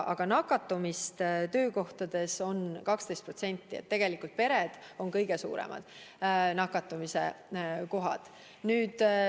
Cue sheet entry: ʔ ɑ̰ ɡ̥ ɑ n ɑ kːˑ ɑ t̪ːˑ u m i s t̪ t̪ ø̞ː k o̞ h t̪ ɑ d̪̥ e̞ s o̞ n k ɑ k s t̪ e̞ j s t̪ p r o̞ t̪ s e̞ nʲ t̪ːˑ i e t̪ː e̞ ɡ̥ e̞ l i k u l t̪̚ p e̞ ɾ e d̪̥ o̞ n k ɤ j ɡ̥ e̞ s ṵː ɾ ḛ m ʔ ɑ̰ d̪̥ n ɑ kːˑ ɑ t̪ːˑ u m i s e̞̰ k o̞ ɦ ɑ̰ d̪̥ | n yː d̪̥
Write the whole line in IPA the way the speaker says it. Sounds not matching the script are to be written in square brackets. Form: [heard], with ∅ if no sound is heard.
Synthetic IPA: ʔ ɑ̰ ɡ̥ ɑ n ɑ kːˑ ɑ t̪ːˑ u m i s t̪ t̪ ø̞ː k o̞ h t̪ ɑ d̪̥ e̞ s o̞ n k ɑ k s t̪ e̞ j s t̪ p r o̞ t̪ s e̞ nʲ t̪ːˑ i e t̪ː e̞ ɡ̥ e̞ l i k u l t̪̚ p e̞ ɾ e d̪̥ o̞ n k ɤ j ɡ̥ e̞ s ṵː ɾ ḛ m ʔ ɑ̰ d̪̥ n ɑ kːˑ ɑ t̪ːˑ u m i s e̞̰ k o̞ ɦ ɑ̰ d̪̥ | n yː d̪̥

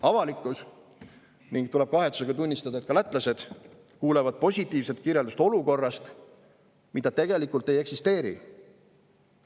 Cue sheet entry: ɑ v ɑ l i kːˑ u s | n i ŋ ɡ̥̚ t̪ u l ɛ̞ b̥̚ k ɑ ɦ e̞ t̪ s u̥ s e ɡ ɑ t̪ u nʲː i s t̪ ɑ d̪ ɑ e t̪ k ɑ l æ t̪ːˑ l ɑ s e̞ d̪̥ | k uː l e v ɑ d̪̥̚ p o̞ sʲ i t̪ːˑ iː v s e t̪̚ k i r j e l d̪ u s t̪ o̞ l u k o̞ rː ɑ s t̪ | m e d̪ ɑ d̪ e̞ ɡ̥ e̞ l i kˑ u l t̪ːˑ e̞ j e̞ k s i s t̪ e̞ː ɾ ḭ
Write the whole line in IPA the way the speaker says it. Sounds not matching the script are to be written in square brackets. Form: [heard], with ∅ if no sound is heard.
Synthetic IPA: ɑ v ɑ l i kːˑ u s | n i ŋ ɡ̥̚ t̪ u l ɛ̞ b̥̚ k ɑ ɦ e̞ t̪ s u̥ s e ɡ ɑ t̪ u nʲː i s t̪ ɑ d̪ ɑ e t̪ k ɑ l æ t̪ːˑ l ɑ s e̞ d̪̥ | k uː l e v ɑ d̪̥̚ p o̞ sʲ i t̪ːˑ iː v s e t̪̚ k i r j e l d̪ u s t̪ o̞ l u k o̞ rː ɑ s t̪ | m [i] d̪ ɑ [t̪] e̞ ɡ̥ e̞ l i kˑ u l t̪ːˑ e̞ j e̞ k s i s t̪ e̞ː ɾ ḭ

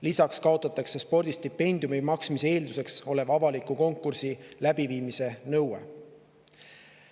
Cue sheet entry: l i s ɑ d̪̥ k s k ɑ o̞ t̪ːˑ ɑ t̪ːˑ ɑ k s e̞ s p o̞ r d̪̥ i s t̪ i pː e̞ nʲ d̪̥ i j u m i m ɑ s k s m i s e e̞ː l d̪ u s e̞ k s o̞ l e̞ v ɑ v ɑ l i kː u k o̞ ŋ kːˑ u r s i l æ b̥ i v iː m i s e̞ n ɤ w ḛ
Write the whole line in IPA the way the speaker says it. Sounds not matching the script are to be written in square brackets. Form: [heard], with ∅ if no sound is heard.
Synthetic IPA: l i s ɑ [∅] k s k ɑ o̞ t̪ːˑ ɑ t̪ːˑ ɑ k s e̞ s p o̞ r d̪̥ i s t̪ i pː e̞ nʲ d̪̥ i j u m i m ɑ [∅] k s m i s e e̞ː l d̪ u s e̞ k s o̞ l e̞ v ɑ v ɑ l i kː u k o̞ ŋ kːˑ u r s i l æ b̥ i v iː m i s e̞ n ɤ w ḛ

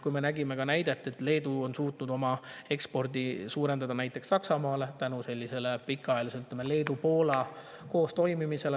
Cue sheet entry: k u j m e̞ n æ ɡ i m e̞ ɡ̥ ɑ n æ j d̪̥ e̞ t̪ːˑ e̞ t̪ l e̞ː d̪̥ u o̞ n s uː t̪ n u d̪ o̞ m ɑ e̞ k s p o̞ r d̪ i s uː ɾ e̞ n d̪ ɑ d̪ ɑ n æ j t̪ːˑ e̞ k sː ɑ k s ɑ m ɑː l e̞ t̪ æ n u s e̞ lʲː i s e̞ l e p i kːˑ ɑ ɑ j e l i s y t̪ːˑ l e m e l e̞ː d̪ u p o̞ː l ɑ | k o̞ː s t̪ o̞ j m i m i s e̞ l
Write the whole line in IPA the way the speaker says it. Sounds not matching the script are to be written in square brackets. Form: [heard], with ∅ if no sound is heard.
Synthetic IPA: k u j m e̞ n æ ɡ i m e̞ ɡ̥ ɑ n æ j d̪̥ e̞ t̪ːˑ e̞ t̪ l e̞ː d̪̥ u o̞ n s uː t̪ n u d̪ o̞ m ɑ e̞ k s p o̞ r d̪ i s uː ɾ e̞ n d̪ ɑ d̪ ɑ n æ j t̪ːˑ e̞ k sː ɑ k s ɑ m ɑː l e̞ t̪ æ n u s e̞ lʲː i s e̞ l e p i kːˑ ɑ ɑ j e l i s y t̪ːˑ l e m e l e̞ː d̪ u p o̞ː l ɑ | k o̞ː s t̪ o̞ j m i m i s e̞ l

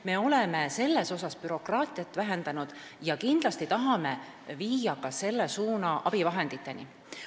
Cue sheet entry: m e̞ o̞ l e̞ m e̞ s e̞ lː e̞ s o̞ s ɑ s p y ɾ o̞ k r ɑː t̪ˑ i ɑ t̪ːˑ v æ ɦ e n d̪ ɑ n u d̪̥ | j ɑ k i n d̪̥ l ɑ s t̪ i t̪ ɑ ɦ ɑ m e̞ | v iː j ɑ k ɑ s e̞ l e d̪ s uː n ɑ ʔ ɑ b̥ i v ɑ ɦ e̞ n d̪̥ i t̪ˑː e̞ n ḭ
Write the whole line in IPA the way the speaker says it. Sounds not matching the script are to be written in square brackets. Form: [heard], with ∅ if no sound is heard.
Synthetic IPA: m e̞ o̞ l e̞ m e̞ s e̞ lː e̞ s o̞ s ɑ s p y ɾ o̞ k r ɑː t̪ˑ i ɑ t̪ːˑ v æ ɦ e n d̪ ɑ n u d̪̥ | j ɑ k i n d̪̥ l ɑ s t̪ i t̪ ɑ ɦ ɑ m e̞ | v iː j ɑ k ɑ s e̞ [lː] e [∅] s uː n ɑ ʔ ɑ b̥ i v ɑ ɦ e̞ n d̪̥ i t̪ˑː e̞ n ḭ

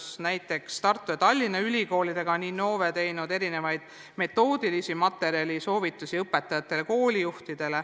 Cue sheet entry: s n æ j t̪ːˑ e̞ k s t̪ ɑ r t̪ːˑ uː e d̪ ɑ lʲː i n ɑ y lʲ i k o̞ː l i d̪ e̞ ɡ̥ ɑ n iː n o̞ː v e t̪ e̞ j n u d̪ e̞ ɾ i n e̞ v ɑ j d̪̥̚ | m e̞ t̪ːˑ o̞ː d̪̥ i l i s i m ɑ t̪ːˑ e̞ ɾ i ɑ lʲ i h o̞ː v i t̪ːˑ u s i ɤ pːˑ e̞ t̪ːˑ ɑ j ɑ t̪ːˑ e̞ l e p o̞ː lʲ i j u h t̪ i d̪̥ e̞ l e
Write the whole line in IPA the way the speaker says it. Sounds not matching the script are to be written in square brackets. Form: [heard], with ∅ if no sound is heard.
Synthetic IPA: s n æ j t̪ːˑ e̞ k s t̪ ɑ r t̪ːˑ [u] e [t̪] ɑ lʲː i n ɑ y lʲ i k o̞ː l i d̪ e̞ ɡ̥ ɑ n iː n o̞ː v e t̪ e̞ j n u d̪ e̞ ɾ i n e̞ v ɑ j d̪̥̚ | m e̞ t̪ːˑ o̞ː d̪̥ i l i s i m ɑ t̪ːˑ e̞ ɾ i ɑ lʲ i [s] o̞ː v i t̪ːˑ u s i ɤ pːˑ e̞ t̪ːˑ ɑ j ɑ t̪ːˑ e̞ l e [k] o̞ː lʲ i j u h t̪ i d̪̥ e̞ l e

